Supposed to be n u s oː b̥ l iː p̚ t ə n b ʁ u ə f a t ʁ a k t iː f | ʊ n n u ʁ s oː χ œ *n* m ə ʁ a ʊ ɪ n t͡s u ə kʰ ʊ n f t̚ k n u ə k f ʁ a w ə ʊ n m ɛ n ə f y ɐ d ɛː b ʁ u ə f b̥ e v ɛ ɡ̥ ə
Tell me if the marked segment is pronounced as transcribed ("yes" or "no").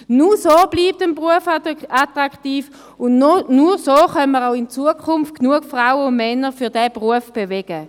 yes